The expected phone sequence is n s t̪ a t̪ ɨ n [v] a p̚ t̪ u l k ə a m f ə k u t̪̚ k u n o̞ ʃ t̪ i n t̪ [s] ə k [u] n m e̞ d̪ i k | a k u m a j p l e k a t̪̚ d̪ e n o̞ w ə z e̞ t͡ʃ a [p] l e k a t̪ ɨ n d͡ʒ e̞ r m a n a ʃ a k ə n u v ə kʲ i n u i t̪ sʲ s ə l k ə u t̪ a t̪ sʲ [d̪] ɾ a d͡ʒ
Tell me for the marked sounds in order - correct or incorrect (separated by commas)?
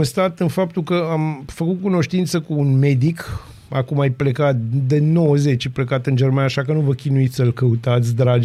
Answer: incorrect, correct, incorrect, correct, correct